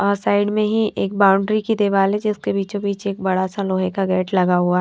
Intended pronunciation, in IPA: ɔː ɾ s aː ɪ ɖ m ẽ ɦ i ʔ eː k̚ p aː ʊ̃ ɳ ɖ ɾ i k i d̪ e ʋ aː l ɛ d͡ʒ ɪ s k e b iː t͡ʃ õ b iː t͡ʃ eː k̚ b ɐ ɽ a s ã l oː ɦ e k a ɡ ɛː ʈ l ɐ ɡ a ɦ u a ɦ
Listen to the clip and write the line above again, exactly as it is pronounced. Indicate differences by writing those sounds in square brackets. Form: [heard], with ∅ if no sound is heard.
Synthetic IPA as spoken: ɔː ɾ s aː ɪ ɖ m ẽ ɦ i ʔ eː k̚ [b] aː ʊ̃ ɳ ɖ ɾ i k i d̪ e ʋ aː l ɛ d͡ʒ ɪ s k e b iː t͡ʃ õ b iː t͡ʃ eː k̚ b ɐ ɽ a s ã l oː ɦ e k a ɡ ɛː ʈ l ɐ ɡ a ɦ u a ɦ